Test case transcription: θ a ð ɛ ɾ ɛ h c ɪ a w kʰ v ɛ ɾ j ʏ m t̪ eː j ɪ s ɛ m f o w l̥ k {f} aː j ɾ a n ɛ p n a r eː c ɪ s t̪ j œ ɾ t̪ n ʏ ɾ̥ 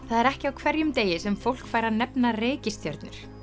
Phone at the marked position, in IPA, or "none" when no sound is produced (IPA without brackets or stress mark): f